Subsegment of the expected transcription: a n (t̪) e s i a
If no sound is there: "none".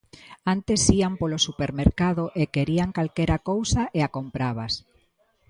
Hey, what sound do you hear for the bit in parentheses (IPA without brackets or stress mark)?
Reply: t̪